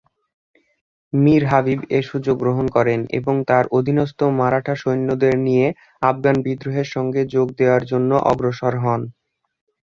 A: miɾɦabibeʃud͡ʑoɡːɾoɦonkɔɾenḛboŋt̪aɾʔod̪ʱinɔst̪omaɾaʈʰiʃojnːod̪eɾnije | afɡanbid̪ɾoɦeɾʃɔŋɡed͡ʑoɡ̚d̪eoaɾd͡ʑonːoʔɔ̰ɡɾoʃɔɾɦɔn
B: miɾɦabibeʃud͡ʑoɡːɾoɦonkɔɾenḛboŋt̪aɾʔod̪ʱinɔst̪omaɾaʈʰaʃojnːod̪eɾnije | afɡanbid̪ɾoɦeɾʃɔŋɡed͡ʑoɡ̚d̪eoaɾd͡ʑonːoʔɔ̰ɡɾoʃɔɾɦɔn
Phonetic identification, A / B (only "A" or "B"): B